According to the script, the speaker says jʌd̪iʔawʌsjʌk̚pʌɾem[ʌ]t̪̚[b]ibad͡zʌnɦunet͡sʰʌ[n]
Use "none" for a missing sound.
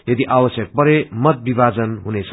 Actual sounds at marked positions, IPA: ʌ, b, none

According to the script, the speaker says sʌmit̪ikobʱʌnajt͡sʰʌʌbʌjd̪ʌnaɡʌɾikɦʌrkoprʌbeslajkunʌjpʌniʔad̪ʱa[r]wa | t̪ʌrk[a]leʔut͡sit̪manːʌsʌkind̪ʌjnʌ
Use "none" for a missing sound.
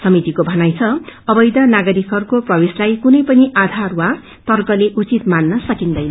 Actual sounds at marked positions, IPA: r, ʌ

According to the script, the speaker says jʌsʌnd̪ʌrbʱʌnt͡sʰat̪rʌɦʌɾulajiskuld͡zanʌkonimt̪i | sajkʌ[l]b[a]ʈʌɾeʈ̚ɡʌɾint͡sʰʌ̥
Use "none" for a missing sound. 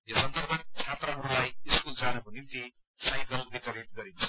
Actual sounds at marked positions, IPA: l, i

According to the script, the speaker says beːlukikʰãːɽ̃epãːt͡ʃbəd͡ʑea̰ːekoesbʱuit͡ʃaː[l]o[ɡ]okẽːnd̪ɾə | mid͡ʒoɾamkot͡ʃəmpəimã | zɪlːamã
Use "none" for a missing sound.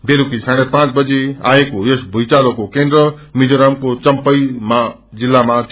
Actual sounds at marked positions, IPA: l, k

